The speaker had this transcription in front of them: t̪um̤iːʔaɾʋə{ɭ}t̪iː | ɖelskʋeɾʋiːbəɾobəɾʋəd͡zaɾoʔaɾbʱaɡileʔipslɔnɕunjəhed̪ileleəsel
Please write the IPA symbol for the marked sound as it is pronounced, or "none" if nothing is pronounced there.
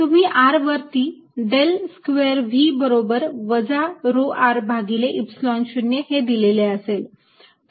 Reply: ɾ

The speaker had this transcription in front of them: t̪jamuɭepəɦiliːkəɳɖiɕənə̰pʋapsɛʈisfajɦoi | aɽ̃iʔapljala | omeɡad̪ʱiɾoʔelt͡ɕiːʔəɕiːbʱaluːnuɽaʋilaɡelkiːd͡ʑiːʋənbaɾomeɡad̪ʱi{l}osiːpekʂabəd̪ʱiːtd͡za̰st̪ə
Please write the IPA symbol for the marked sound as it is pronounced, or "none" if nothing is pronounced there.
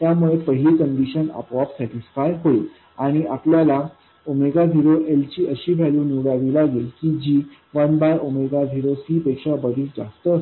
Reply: ɾ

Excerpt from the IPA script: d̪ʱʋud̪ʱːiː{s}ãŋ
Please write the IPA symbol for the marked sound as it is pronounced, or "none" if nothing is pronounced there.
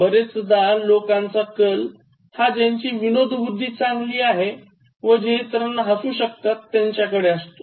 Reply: t͡s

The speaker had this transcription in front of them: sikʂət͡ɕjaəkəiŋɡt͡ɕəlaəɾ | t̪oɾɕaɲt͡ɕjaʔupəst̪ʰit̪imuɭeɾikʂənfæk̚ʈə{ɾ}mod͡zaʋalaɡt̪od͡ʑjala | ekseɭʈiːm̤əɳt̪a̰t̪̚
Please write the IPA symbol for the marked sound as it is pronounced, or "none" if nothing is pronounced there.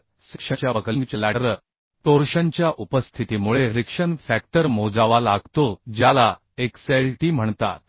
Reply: ɾ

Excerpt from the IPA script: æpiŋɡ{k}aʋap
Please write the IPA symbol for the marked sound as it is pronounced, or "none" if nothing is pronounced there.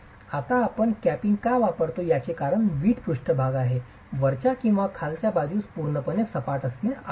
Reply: k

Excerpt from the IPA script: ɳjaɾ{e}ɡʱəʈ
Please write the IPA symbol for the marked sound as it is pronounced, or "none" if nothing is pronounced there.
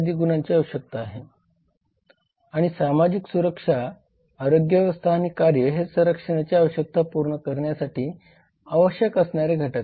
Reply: e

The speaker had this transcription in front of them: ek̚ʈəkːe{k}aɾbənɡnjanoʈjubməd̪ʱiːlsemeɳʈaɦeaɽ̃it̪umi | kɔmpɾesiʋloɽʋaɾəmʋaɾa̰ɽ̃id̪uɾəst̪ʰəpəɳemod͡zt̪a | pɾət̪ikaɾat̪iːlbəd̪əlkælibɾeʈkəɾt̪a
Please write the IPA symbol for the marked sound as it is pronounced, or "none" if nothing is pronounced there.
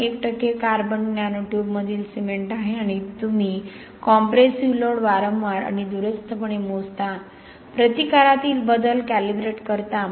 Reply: k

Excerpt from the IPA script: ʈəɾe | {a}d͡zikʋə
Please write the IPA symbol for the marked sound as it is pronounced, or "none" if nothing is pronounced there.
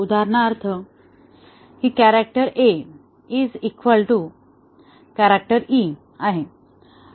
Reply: i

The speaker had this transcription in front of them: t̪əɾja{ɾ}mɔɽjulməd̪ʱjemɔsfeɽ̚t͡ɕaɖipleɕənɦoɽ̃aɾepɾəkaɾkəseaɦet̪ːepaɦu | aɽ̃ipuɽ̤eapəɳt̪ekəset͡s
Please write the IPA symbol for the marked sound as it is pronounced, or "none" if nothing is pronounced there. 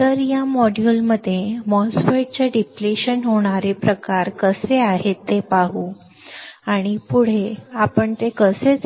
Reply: none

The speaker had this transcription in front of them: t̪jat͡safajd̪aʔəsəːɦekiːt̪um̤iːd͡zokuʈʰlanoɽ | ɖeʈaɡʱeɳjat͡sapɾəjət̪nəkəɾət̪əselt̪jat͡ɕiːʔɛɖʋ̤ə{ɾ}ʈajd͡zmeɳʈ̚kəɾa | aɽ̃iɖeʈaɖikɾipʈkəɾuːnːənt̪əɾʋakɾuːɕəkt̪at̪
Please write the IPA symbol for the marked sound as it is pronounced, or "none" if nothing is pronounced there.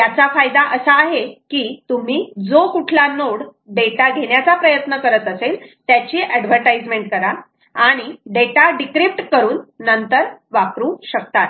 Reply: ɾ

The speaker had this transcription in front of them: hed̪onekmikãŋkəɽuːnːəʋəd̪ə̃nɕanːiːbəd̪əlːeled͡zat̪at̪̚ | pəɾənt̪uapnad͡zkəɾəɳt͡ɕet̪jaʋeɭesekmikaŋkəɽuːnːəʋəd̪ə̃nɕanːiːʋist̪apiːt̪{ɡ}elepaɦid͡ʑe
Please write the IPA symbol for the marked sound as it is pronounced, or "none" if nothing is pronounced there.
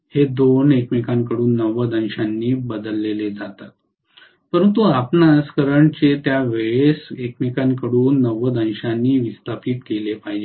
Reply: k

